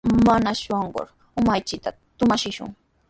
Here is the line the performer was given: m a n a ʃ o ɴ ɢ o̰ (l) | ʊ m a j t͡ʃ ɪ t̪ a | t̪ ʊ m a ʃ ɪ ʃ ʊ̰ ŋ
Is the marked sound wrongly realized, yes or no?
yes